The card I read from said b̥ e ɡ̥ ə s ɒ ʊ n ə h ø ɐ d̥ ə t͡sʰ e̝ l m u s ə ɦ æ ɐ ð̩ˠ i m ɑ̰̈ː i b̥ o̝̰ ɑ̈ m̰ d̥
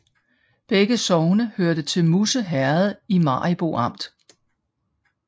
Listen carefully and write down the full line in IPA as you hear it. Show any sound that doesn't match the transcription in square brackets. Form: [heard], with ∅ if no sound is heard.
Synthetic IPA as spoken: b̥ e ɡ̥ ə s ɒ ʊ n ə h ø ɐ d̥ ə t͡sʰ e̝ l m u s ə ɦ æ ɐ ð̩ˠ i m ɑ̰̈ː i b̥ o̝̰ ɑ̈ m̰ d̥